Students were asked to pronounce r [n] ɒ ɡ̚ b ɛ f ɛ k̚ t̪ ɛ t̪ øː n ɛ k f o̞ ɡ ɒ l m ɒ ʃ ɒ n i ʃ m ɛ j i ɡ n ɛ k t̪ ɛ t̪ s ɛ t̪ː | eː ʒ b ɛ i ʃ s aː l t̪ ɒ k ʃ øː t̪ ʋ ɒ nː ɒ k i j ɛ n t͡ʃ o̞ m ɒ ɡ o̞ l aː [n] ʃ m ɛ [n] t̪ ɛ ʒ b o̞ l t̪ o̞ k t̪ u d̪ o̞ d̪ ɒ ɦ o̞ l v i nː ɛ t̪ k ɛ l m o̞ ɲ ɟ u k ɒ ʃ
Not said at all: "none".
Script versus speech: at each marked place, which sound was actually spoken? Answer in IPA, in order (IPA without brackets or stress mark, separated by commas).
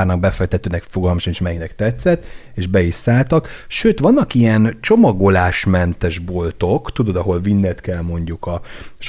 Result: n, none, n